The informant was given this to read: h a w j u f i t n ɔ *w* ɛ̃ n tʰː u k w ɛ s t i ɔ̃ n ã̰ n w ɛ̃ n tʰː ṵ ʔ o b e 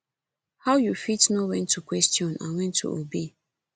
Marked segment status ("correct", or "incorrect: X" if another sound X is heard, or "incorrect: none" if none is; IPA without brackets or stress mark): correct